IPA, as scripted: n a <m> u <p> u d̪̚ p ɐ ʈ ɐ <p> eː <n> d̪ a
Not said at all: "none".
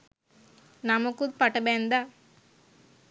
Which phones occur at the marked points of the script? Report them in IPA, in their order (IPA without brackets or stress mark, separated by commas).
m, k, b, n